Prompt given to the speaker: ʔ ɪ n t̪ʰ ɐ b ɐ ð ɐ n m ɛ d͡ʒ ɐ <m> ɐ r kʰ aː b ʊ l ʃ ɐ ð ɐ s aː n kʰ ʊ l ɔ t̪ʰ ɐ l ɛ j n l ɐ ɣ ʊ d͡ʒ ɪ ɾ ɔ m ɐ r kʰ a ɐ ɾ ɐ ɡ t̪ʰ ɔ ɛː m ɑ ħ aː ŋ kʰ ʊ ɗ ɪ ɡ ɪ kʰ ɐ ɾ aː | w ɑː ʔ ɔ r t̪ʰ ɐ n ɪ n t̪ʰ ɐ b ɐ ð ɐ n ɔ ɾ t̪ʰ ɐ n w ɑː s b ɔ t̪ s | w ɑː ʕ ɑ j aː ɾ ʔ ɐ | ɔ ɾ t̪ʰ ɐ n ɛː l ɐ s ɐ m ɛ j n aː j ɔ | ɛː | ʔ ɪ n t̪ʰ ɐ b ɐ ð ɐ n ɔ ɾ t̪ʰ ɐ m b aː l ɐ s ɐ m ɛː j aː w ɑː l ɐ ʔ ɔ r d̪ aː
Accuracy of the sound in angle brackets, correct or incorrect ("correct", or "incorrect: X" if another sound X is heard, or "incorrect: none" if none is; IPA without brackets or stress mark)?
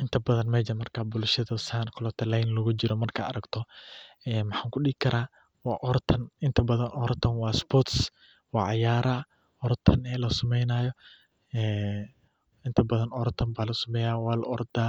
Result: correct